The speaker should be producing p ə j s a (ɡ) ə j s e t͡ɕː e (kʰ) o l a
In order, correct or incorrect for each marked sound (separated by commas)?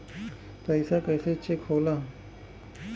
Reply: incorrect, correct